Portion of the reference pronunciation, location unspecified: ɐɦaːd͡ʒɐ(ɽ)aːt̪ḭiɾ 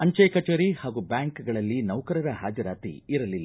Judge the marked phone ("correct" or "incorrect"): incorrect